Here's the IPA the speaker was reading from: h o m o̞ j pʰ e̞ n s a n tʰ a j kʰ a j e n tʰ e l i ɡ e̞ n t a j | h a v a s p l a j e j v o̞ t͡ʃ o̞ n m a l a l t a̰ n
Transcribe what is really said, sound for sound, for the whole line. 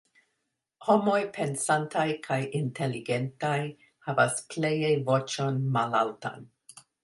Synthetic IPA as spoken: h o m o̞ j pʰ e̞ n s a n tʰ a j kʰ a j i n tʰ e l i ɡ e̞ n t a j | h a v a s p l e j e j v o̞ t͡ʃ o̞ n m a l a l t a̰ n